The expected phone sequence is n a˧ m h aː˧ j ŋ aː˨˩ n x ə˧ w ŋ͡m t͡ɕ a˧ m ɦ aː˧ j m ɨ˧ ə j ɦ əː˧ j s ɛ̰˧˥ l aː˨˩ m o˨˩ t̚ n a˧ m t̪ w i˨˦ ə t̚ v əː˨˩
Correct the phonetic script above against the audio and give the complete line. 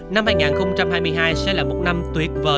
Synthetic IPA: n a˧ m h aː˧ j ŋ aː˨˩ n x ə˧ w ŋ͡m t͡ɕ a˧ m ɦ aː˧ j m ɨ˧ ə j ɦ aː˧ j s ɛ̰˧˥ l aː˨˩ m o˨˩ t̚ n a˧ m t̪ w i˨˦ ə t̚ v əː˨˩